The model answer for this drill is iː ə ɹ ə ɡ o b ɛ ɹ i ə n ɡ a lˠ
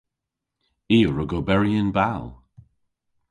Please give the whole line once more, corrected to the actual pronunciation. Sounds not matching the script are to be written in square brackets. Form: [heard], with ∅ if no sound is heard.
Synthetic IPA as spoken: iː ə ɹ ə ɡ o b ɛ ɹ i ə n [b] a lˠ